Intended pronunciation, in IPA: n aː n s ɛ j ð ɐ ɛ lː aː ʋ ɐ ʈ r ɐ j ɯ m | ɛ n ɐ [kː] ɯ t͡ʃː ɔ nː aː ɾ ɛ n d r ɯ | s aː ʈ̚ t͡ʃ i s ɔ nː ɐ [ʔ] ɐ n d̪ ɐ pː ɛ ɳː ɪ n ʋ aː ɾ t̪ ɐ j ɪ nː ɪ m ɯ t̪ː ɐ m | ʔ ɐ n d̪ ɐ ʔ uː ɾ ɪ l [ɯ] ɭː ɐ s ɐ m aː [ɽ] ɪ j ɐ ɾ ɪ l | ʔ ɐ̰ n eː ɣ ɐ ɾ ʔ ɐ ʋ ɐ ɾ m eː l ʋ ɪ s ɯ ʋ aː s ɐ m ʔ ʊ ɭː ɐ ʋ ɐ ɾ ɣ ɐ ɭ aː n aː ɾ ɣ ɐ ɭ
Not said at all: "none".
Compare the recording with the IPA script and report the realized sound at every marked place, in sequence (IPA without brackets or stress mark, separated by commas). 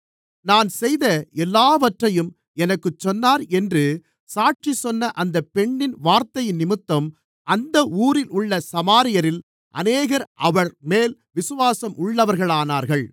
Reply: kː, ʔ, ʊ, ɾ